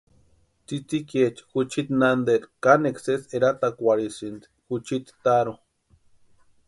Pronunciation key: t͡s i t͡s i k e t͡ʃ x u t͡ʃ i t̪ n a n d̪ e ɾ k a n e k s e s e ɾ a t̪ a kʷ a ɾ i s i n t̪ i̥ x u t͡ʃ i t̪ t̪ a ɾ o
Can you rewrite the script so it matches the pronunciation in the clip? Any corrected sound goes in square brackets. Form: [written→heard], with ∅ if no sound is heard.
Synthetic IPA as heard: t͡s i t͡s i k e t͡ʃ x u t͡ʃ i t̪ n a n d̪ e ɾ k a n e k s e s e ɾ a t̪ a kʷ a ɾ i s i n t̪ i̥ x u t͡ʃ i t̪ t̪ a ɾ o